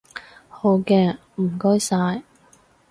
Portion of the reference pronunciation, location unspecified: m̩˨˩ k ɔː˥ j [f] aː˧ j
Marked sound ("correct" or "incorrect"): incorrect